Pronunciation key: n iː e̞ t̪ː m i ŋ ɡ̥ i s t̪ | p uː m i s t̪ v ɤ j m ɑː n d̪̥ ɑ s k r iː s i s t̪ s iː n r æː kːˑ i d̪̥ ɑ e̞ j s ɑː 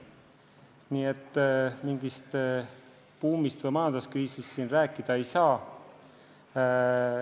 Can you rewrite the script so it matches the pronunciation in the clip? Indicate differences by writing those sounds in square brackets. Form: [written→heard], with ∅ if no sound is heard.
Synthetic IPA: n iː e̞ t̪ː m i ŋ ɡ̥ i s t̪ | p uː m i s t̪ v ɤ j m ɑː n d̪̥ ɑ s k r iː s i s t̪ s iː n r æː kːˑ i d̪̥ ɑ e̞ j s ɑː